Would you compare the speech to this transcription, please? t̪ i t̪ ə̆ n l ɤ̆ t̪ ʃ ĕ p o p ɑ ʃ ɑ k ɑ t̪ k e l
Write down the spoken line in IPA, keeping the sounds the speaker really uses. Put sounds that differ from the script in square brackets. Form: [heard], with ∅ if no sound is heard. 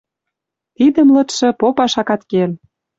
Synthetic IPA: t̪ i [d̪] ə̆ [m] l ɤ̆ t̪ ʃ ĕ p o p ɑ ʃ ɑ k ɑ t̪ k e l